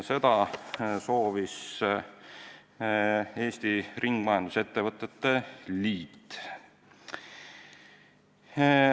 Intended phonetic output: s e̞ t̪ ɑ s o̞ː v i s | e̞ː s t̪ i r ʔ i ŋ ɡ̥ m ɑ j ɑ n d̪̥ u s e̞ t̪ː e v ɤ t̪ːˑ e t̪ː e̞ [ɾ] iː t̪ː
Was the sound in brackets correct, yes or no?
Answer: no